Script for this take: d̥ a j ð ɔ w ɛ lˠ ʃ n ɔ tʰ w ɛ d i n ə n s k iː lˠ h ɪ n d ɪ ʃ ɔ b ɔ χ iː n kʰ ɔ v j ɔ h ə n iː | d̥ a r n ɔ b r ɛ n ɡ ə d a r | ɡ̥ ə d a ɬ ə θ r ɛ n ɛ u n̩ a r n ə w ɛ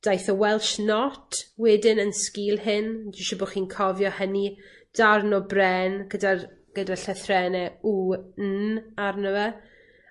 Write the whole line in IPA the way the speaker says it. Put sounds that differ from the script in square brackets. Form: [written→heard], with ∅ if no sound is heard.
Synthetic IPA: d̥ a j [ð→θ] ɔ w ɛ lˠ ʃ n ɔ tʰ w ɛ d [i→ɪ] n ə n s k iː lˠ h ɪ n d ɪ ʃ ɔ b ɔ χ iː n kʰ ɔ v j ɔ h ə n [iː→i] | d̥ a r n ɔ b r ɛ n ɡ ə d a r | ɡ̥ ə d a ɬ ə θ r ɛ n ɛ u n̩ a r n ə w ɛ